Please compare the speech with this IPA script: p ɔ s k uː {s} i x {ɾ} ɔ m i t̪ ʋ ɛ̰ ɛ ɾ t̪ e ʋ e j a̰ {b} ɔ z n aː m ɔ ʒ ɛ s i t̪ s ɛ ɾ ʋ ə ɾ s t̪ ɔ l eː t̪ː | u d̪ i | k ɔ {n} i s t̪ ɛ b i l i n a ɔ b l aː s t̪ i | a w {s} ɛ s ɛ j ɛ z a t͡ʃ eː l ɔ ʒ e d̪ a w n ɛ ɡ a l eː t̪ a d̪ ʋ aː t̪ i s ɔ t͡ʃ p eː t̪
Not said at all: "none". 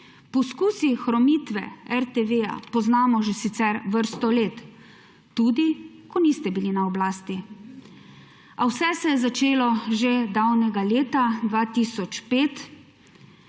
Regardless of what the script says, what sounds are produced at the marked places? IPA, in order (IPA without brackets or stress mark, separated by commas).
s, ɾ, p, n, s